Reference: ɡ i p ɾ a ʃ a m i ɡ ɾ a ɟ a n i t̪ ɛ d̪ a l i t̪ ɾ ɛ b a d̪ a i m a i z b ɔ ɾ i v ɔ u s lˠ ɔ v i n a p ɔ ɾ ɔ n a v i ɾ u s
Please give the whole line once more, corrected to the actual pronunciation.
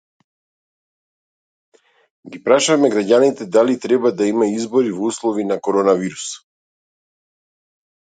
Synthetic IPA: ɡ i p ɾ a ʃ a m ɛ ɡ ɾ a ɟ a n i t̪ ɛ d̪ a l i t̪ ɾ ɛ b a d̪ a i m a i z b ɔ ɾ i v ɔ u s lˠ ɔ v i n a k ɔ ɾ ɔ n a v i ɾ u s